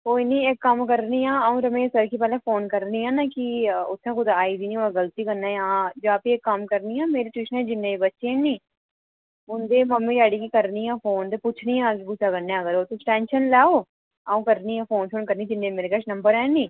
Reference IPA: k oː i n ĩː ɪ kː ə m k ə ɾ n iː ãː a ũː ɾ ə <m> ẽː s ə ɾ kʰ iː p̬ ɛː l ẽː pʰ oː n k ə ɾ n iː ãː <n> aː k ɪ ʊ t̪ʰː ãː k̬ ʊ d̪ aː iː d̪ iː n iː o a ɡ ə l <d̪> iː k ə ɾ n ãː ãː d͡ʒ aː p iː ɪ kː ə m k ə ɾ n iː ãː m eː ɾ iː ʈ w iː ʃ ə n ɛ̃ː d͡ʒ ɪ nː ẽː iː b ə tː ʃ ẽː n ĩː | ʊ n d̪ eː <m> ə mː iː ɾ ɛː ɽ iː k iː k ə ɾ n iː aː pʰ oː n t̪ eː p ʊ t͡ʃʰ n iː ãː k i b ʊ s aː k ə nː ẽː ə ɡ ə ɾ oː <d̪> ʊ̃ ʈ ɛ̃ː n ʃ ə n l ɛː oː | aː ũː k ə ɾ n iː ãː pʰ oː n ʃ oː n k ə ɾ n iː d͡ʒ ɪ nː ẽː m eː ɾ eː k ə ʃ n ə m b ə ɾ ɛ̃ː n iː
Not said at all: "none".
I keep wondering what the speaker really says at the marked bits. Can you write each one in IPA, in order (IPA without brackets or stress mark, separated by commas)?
m, n, t̪, m, t̪